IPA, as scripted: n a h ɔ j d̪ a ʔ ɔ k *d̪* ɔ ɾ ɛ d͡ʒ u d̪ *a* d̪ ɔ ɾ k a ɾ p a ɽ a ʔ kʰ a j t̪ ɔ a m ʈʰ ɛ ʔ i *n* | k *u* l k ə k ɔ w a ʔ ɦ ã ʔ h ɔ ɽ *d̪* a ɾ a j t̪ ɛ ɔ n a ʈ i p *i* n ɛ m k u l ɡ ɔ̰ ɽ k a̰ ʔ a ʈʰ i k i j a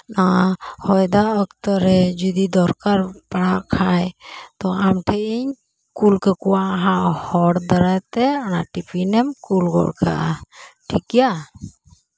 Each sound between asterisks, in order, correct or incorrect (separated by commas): incorrect, incorrect, incorrect, correct, correct, correct